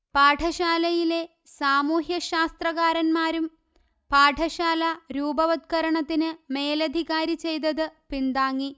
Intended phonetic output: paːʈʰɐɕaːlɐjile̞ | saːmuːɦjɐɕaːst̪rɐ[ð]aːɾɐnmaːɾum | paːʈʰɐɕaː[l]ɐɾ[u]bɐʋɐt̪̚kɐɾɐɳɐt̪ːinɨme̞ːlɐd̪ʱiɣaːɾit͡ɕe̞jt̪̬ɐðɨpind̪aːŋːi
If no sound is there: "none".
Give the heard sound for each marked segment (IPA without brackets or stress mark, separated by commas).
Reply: ɣ, l, uː